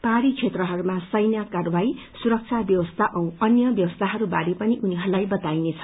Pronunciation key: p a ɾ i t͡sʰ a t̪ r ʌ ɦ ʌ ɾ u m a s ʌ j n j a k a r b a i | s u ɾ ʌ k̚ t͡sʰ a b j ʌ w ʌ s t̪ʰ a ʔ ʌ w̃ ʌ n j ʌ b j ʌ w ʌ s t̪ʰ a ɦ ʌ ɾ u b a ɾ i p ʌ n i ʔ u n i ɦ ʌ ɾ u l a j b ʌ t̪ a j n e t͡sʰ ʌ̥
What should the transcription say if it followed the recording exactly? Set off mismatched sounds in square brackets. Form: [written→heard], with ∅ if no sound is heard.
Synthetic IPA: p a ɾ i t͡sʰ [a→e] t̪ r ʌ ɦ ʌ ɾ u m a s ʌ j n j a k a r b a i | s u ɾ ʌ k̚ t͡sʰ a b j ʌ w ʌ s t̪ʰ a ʔ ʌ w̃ ʌ n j ʌ b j ʌ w ʌ s t̪ʰ a ɦ ʌ ɾ u b a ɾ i p ʌ n i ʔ u n i ɦ ʌ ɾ u l a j b ʌ t̪ a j n e t͡sʰ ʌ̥